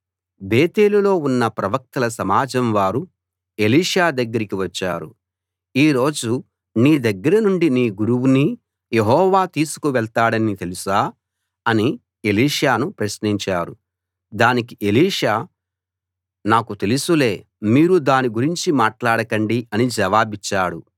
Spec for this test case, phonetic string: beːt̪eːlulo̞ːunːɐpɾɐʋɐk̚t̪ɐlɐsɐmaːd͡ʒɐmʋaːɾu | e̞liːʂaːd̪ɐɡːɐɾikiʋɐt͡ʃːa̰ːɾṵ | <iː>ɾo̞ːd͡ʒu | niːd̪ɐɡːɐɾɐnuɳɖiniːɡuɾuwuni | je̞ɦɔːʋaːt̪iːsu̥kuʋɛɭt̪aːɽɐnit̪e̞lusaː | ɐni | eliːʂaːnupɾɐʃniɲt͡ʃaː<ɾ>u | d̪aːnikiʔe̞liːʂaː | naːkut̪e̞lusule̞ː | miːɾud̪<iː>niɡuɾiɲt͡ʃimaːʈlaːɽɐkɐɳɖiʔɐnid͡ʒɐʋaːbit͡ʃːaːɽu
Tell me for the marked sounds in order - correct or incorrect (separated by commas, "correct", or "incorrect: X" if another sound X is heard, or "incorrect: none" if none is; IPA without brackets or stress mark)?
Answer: correct, correct, incorrect: aː